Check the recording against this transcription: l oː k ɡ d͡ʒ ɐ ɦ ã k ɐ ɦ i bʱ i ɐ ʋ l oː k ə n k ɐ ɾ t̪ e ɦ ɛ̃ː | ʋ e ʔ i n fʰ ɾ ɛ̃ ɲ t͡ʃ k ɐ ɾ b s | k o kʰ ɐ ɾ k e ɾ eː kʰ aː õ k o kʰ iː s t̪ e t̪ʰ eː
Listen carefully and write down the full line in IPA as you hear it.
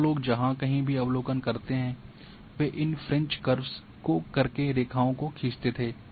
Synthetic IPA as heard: l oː ɡ d͡ʒ ɐ ɦ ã k ɐ ɦ ĩ bʱ i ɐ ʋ l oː k ə n k ɐ ɾ t̪ e ɦ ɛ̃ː | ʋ e ʔ ɪ n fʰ ɾ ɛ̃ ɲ t͡ʃ k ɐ ɾ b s | k o k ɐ ɾ k e ɾ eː kʰ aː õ k o kʰ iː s t̪ e t̪ʰ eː